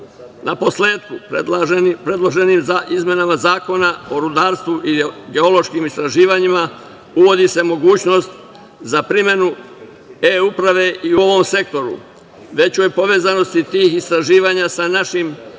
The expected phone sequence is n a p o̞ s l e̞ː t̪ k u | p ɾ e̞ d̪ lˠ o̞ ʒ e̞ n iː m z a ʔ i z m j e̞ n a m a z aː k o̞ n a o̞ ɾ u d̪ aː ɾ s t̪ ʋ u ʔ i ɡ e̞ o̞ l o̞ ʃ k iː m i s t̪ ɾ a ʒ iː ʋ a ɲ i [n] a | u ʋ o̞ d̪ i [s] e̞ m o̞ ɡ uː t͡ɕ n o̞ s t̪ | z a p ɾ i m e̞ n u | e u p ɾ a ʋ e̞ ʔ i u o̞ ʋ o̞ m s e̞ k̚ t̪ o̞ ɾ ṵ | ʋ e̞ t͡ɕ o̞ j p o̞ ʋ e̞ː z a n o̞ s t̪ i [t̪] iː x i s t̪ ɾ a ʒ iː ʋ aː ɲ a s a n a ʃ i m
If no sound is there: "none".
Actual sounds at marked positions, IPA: m, s, t̪

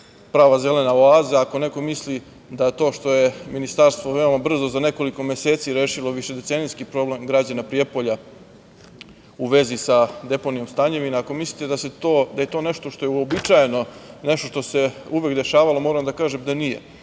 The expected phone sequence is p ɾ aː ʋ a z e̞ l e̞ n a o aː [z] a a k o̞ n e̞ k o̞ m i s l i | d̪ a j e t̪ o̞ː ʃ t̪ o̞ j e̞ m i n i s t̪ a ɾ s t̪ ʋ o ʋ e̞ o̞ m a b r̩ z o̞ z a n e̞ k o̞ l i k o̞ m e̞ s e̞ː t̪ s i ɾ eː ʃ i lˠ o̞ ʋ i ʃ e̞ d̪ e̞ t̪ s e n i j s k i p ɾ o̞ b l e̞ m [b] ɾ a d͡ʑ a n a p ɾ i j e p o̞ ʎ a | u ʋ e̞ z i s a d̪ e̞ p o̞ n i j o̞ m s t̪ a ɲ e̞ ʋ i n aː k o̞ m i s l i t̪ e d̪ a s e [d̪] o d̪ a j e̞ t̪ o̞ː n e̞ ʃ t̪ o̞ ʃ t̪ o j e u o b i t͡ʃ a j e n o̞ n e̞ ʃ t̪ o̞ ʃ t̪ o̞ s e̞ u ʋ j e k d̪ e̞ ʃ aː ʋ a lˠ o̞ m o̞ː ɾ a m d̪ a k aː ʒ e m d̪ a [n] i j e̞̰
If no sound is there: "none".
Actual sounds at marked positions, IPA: z, ɡ, t̪, n

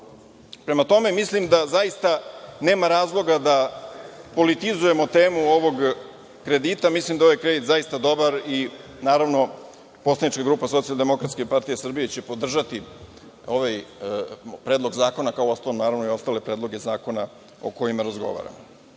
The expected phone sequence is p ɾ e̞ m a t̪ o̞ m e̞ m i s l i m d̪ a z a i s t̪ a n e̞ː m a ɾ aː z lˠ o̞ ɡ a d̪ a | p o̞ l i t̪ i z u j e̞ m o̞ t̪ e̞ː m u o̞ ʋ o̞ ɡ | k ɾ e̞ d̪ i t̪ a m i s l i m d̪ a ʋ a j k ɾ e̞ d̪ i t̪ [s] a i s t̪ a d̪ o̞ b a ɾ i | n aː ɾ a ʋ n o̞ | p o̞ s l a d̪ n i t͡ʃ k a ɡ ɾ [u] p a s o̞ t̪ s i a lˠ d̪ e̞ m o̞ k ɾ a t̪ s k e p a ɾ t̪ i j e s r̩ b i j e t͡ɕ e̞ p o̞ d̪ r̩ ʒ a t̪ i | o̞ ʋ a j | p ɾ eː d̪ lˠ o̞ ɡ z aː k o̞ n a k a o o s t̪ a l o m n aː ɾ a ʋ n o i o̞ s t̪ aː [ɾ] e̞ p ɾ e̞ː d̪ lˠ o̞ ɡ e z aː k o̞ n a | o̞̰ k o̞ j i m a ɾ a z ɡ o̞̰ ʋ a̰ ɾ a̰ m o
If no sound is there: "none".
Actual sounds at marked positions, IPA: z, uː, l

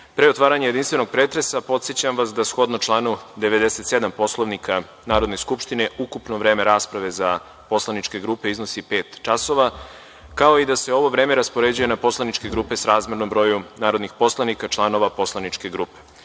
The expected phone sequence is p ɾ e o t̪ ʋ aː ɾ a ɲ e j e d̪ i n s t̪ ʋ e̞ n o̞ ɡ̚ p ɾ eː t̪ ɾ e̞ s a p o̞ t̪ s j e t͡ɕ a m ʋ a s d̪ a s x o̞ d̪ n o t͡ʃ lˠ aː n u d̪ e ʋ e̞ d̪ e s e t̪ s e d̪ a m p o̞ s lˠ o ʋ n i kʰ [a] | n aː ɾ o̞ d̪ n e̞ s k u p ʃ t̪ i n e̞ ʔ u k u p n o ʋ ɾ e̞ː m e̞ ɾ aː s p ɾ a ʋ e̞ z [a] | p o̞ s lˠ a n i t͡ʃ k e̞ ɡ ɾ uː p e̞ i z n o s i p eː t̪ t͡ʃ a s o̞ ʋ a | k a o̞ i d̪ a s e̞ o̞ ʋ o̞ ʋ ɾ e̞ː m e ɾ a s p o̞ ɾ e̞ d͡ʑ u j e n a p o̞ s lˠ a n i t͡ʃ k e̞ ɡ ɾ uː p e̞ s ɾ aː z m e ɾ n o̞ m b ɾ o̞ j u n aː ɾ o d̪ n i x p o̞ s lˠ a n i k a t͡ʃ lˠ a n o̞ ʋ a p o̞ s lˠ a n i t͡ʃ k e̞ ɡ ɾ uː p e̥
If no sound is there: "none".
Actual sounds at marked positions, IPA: a, a

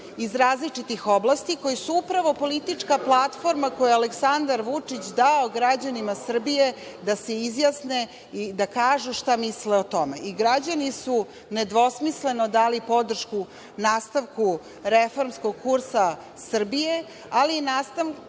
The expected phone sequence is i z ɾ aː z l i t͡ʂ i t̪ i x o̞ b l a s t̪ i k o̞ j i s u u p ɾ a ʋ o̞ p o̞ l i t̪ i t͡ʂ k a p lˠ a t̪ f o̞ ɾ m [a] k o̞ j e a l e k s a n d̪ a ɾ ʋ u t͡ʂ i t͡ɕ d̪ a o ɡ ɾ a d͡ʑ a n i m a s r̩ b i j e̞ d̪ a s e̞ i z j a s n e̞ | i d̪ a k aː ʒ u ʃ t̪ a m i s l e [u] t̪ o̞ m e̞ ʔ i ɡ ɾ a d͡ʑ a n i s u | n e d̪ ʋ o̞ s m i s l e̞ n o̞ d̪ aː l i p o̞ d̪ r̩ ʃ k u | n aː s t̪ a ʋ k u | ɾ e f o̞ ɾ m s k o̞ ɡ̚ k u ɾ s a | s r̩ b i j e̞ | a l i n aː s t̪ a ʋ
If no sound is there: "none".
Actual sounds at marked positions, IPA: a, o

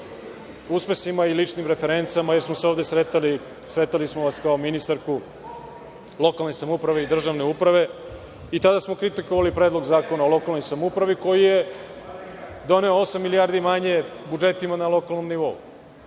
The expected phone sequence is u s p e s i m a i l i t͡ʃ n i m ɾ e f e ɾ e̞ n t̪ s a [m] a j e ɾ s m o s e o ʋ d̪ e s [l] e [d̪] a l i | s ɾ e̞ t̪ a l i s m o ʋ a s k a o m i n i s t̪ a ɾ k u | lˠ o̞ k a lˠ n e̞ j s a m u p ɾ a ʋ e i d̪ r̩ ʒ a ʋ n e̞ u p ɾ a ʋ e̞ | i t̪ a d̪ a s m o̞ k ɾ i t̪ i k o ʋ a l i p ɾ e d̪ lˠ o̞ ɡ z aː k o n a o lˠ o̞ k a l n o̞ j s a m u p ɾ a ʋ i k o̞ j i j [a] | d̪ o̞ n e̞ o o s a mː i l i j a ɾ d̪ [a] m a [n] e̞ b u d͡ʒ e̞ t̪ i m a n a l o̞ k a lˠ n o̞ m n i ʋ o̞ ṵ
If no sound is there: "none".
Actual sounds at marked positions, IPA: m, ɾ, t̪, e, i, ɲ

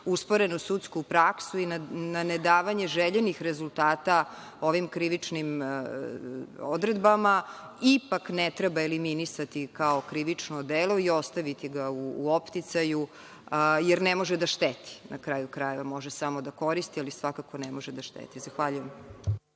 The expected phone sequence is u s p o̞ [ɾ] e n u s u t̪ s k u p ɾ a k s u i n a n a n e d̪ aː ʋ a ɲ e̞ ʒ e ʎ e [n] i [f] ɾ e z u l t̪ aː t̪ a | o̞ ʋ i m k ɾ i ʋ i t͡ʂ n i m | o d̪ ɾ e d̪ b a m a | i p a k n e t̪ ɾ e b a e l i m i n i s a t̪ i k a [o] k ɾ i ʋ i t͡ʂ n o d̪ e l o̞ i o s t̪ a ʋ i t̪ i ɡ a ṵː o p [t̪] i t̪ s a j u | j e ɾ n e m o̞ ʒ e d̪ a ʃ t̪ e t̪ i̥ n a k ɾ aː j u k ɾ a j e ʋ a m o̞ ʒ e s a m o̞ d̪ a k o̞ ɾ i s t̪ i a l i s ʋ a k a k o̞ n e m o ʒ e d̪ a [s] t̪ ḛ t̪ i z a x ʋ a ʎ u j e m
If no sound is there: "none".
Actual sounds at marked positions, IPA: ɾ, n, x, o, t̪, ʃ

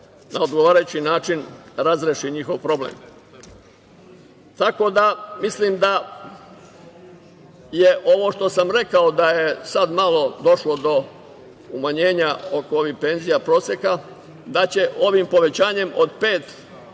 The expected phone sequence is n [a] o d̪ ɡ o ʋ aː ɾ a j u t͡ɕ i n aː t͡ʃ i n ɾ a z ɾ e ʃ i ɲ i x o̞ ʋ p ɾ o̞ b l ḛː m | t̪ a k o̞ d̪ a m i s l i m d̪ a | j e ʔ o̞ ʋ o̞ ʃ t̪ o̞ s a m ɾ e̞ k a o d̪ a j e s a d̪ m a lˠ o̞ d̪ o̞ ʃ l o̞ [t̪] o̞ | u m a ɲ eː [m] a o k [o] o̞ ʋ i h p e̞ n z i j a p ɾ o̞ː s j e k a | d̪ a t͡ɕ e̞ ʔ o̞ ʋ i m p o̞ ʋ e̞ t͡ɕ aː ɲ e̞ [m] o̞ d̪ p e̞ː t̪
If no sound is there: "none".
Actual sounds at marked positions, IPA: a, d̪, ɲ, o, m

